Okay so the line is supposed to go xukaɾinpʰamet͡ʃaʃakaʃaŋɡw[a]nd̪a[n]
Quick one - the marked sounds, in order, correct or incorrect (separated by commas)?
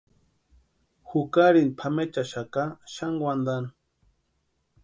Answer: correct, correct